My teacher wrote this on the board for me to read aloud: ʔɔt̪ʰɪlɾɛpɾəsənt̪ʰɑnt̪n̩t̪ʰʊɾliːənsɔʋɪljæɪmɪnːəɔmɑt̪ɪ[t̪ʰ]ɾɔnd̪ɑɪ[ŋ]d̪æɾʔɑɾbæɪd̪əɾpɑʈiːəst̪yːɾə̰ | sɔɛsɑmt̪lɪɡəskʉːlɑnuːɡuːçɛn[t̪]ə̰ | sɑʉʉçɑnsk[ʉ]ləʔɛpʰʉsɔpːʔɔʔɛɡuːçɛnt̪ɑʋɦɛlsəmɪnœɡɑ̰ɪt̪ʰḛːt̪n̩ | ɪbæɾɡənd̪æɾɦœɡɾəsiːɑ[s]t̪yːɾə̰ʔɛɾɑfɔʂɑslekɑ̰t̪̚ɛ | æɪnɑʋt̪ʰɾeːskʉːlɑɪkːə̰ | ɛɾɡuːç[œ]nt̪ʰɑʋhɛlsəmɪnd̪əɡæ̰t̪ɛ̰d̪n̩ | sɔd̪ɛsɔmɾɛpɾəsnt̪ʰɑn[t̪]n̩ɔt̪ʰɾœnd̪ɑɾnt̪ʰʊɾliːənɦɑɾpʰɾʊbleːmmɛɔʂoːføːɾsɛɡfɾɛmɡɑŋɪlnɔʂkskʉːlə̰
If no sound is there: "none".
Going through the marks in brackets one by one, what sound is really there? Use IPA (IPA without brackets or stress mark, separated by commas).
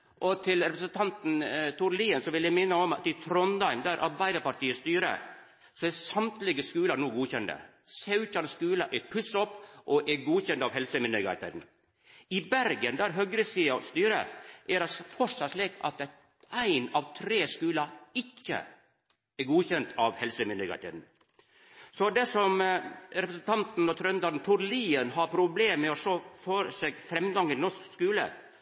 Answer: t̪ʰ, m, d̪, ʉː, s, ɛ, t̪